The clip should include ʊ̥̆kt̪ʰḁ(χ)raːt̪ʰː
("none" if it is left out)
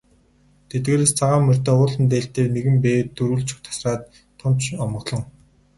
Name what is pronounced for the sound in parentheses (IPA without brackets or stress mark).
s